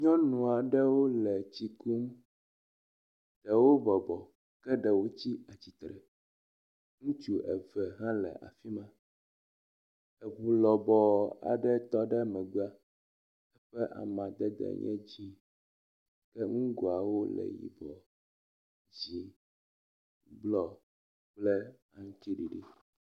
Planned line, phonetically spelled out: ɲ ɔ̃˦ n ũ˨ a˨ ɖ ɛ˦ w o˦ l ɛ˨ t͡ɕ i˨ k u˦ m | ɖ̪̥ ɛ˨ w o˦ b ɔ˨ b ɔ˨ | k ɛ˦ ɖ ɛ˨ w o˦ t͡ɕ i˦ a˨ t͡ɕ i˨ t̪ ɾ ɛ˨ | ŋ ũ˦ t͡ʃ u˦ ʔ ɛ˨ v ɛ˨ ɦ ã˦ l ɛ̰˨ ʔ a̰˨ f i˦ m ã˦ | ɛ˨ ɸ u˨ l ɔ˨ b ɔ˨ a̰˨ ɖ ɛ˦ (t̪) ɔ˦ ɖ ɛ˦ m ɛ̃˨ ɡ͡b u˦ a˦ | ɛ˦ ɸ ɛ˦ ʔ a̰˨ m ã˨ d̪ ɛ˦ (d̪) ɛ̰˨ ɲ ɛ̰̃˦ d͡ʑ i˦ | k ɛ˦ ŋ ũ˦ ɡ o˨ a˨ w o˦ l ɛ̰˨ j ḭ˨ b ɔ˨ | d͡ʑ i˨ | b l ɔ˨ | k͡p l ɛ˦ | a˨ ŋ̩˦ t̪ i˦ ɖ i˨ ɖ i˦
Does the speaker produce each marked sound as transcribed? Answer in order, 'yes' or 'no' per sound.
yes, yes

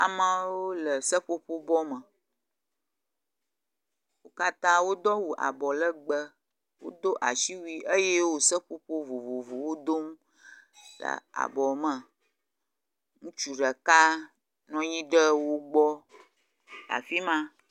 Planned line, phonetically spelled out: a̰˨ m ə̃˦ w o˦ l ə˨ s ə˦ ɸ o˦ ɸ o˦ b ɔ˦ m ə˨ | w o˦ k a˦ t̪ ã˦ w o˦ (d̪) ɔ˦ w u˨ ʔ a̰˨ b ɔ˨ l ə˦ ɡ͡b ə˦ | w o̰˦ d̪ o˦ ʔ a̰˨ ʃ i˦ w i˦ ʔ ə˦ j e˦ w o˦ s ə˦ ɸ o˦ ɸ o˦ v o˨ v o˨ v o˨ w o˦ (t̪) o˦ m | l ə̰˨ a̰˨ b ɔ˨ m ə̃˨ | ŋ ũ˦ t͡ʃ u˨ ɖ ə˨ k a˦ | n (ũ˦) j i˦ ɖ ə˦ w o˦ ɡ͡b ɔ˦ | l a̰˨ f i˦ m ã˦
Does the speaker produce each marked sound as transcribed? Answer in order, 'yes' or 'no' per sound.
yes, no, no

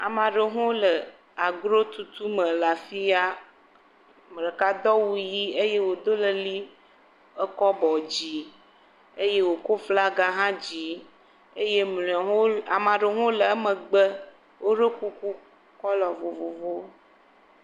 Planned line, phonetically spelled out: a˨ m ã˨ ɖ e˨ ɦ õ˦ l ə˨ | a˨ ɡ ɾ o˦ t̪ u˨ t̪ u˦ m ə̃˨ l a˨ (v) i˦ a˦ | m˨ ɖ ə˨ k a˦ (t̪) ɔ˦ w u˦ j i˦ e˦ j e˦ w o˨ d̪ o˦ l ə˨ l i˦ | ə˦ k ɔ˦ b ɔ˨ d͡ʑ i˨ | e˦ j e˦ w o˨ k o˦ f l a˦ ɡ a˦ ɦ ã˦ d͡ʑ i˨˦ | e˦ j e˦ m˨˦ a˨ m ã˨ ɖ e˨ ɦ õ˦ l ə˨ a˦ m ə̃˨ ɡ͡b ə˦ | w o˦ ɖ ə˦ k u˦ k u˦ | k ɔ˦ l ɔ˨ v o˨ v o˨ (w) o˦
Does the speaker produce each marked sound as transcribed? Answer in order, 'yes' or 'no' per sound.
no, no, no

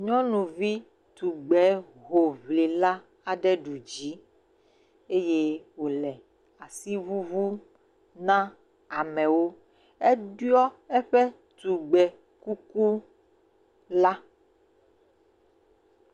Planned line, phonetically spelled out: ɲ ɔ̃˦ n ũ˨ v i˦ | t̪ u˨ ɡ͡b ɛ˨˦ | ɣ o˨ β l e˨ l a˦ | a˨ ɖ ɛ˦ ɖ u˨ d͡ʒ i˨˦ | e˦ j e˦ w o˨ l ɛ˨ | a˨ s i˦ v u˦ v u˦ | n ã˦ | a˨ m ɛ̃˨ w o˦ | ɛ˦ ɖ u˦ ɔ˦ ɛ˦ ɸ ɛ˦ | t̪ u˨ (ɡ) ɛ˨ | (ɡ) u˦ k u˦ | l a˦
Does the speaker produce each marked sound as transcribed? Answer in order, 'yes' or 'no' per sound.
no, no

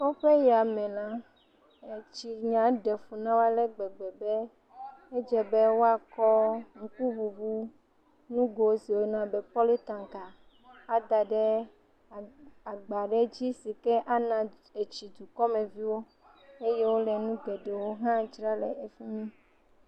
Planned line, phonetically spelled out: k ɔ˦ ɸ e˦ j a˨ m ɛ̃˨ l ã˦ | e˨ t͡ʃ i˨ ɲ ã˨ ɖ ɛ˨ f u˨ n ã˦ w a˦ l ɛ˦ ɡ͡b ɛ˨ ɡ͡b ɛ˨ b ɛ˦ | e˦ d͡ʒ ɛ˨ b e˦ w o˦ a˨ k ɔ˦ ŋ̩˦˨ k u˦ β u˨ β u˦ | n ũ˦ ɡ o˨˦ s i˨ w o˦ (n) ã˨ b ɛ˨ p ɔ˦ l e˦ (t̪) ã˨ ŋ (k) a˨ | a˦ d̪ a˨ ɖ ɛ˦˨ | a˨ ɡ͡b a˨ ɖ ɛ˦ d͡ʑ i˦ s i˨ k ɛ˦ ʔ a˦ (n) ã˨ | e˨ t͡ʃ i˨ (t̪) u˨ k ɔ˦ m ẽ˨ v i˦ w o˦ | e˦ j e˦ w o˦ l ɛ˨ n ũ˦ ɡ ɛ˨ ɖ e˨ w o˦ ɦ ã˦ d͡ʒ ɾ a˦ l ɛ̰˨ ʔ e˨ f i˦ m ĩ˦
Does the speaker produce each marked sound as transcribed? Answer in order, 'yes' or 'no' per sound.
yes, yes, yes, yes, no

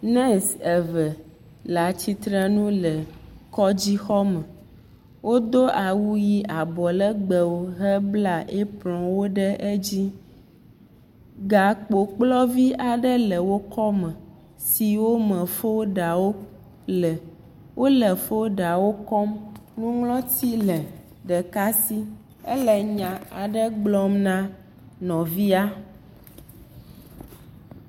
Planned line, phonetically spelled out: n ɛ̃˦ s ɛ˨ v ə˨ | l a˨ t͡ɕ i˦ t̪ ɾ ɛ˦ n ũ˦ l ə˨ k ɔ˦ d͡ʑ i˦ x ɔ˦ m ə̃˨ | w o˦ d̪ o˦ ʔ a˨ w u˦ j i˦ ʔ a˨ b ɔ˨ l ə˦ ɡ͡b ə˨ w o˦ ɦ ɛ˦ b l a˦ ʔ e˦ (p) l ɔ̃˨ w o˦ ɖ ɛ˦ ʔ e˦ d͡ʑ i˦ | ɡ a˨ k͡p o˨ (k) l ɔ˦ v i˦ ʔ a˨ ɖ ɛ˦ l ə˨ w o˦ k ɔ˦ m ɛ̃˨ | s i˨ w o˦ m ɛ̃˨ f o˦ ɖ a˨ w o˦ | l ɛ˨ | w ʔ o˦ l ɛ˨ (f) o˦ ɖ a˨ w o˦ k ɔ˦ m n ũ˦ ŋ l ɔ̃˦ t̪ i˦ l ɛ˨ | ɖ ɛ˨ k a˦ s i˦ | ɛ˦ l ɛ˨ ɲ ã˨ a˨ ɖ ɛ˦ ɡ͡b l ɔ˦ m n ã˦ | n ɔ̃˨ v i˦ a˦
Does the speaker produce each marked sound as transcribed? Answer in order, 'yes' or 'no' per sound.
yes, no, yes

